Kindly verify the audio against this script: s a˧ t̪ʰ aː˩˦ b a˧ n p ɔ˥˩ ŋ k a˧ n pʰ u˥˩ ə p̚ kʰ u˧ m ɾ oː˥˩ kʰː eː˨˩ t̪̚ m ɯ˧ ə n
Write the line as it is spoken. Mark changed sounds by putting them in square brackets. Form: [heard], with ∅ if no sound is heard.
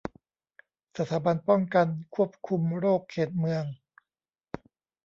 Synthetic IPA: s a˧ t̪ʰ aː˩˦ b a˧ n p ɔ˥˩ ŋ k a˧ n [kʰ] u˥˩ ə p̚ kʰ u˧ m ɾ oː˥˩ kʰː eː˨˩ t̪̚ m ɯ˧ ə [ŋ]